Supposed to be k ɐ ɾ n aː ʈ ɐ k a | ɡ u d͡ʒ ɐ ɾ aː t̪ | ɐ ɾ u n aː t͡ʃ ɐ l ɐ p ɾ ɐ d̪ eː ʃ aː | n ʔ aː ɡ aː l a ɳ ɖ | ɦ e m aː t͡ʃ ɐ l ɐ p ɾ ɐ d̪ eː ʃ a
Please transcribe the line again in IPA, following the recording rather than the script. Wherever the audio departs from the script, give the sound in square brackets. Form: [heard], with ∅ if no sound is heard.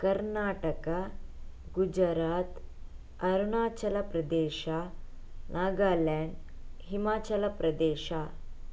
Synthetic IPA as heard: k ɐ ɾ n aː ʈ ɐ k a | ɡ u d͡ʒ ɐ ɾ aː t̪ | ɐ ɾ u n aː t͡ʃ ɐ l ɐ p ɾ ɐ d̪ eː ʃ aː | n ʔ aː ɡ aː l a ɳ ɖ | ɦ [i] m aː t͡ʃ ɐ l ɐ p ɾ ɐ d̪ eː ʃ a

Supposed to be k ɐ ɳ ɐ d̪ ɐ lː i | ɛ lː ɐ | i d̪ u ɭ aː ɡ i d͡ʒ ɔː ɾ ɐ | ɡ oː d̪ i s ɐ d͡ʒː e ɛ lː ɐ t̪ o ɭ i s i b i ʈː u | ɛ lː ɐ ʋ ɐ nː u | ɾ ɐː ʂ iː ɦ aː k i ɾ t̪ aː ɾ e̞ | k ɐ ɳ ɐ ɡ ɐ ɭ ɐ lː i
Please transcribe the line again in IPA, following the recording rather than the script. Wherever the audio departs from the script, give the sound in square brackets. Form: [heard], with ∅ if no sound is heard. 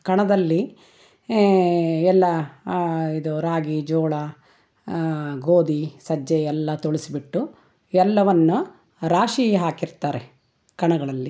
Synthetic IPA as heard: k ɐ ɳ ɐ d̪ ɐ lː i | ɛ lː ɐ | i d̪ u [ɾ] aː ɡ i d͡ʒ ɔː [ɭ] ɐ | ɡ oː d̪ i s ɐ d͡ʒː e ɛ lː ɐ t̪ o ɭ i s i b i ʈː u | ɛ lː ɐ ʋ ɐ nː u | ɾ [aː] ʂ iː ɦ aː k i ɾ t̪ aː ɾ e̞ | k ɐ ɳ ɐ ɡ ɐ ɭ ɐ lː i

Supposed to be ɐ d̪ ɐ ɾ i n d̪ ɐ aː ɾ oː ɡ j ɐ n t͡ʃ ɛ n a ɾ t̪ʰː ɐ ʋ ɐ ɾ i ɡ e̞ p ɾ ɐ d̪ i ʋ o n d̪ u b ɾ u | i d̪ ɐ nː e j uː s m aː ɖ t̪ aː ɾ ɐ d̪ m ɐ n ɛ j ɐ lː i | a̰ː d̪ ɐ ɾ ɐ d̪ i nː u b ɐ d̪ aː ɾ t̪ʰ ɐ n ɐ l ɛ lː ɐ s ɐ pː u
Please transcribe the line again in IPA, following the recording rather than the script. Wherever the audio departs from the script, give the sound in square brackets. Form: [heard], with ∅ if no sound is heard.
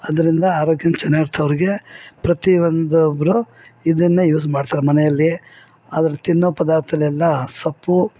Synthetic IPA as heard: ɐ d̪ ɐ ɾ i n d̪ ɐ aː ɾ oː ɡ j ɐ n t͡ʃ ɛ n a ɾ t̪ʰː ɐ ʋ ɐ ɾ i ɡ e̞ p ɾ ɐ [t̪] i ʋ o n d̪ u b ɾ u | i d̪ ɐ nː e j uː s m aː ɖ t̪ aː ɾ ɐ [∅] m ɐ n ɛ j ɐ lː i | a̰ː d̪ ɐ ɾ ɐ [t̪] i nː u [p] ɐ d̪ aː ɾ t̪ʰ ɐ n ɐ l ɛ lː ɐ s ɐ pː u

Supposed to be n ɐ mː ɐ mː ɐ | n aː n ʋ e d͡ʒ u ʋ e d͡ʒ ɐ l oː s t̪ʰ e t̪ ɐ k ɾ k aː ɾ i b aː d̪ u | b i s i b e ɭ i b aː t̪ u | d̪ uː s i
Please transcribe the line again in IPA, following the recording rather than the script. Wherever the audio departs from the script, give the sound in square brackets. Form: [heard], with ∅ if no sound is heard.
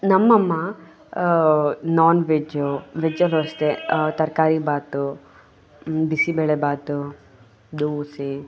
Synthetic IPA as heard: n ɐ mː ɐ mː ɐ | n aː n ʋ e d͡ʒ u ʋ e d͡ʒ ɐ l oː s [t̪] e t̪ ɐ [∅] ɾ k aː ɾ i b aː [t̪] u | b i s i b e ɭ [e] b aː t̪ u | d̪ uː s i

